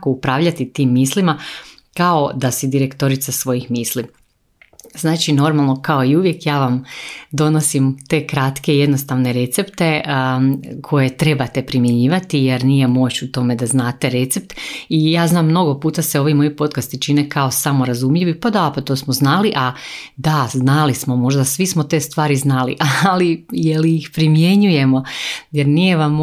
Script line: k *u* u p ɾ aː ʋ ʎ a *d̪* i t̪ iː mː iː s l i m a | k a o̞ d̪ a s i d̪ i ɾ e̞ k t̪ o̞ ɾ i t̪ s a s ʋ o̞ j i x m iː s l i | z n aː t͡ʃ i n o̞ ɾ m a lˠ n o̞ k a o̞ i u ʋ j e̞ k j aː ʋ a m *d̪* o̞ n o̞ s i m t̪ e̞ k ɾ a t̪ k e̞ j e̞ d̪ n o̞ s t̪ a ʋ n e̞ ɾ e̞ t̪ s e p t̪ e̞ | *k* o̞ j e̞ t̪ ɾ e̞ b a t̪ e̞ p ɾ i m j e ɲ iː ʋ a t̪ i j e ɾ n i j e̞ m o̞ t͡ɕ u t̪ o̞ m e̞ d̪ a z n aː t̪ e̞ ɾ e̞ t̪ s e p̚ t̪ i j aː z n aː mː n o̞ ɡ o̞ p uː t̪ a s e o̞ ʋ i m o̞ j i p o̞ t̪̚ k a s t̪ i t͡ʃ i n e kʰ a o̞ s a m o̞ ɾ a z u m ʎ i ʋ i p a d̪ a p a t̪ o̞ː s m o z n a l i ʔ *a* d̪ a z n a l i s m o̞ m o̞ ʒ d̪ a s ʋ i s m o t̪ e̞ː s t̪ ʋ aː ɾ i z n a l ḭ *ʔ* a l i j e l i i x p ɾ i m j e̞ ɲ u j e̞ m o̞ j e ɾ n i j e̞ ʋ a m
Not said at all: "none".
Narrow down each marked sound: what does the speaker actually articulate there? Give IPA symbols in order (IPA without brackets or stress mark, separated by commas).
o, t̪, d̪, kʰ, a, ʔ